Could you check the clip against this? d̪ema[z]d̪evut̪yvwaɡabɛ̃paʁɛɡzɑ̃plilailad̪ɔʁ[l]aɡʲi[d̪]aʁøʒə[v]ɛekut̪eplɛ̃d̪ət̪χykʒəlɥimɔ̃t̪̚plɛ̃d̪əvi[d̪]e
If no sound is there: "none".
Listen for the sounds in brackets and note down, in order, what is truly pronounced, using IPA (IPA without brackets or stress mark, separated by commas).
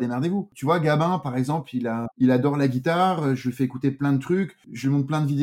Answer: ʁ, l, t̪, f, d̪